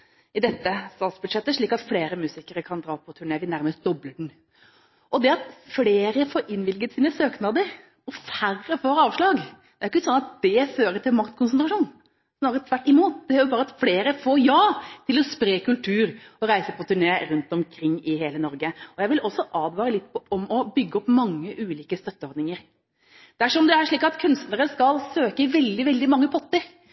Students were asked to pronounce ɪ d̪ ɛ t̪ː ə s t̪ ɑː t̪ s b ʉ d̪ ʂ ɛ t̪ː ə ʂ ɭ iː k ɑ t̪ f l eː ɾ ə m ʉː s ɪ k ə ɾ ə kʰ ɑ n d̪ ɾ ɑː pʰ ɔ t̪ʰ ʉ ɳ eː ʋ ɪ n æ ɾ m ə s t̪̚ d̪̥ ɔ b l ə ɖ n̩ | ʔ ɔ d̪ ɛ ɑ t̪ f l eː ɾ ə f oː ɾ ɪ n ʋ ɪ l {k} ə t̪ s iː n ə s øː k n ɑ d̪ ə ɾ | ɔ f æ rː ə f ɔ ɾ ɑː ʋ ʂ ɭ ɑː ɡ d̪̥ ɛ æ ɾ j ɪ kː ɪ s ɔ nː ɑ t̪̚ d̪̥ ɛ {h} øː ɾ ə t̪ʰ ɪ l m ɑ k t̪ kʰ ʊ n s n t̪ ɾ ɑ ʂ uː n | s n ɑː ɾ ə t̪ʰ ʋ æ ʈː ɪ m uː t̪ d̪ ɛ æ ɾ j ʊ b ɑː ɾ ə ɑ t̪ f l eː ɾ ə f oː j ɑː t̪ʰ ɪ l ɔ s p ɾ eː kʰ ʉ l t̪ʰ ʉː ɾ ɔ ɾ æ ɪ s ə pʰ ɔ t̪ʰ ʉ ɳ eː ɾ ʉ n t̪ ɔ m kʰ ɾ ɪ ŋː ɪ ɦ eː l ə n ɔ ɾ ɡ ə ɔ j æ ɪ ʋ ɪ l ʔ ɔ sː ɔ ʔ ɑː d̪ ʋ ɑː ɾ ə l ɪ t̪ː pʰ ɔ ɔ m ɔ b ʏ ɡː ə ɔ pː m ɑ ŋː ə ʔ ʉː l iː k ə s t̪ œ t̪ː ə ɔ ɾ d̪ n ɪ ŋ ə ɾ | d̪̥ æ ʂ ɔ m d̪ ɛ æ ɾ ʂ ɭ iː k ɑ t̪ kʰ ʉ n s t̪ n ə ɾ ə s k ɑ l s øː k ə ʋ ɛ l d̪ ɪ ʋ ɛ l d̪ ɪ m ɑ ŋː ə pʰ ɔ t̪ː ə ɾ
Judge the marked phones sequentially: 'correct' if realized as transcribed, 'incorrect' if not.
incorrect: ɡ, incorrect: f

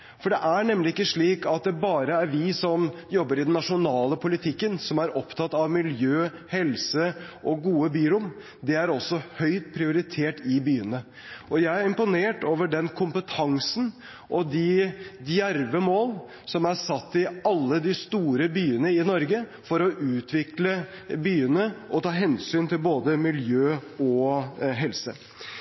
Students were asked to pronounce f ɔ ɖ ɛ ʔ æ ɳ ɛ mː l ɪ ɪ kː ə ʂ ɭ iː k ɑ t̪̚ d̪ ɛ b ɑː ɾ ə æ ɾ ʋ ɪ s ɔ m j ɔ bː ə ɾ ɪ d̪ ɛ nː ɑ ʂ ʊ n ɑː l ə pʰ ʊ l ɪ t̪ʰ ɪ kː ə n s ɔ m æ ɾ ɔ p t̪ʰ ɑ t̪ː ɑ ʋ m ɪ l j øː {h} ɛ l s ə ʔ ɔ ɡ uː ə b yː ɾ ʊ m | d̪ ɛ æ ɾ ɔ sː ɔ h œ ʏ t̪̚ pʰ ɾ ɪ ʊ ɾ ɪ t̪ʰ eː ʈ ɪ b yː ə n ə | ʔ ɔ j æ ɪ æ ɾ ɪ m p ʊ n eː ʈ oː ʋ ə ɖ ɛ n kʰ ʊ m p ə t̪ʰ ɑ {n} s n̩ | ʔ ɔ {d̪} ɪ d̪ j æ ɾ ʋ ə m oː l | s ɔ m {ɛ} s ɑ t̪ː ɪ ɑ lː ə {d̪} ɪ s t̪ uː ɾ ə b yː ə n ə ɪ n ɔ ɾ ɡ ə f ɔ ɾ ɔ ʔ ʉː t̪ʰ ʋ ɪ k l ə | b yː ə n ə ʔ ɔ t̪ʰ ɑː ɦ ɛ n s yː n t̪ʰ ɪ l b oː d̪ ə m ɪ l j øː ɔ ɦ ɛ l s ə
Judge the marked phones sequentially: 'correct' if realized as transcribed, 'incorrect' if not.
correct, incorrect: ŋ, correct, incorrect: æ, correct

